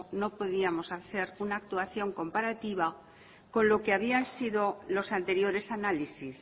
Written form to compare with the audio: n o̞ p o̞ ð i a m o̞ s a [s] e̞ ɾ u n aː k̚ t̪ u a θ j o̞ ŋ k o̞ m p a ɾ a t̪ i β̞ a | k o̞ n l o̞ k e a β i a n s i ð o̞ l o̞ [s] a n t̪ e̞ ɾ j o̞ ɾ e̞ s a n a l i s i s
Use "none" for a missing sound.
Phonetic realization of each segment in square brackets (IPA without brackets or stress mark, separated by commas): θ, s